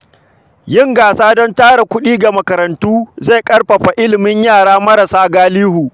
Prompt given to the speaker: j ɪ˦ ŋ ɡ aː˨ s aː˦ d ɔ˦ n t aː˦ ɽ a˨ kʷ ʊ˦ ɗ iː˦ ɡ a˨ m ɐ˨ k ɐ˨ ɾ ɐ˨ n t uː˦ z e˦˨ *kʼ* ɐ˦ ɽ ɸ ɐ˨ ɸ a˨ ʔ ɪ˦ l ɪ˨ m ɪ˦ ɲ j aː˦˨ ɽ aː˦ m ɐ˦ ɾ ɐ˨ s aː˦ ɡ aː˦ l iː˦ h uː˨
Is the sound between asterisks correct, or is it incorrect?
correct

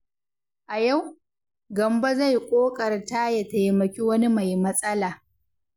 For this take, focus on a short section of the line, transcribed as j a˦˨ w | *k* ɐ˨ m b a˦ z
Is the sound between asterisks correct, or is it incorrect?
incorrect: ɡ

